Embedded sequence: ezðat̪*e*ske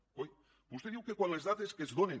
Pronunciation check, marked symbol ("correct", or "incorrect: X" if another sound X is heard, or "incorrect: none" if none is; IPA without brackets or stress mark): correct